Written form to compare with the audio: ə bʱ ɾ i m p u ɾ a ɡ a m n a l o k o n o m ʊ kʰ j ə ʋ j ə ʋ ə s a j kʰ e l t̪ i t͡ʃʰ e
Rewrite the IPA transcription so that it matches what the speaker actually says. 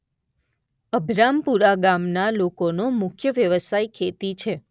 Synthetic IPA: ə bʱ ɾ a m p u ɾ a ɡ a m n a l o k o n o m ʊ kʰ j ə ʋ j ə ʋ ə s a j kʰ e t̪ i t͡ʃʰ e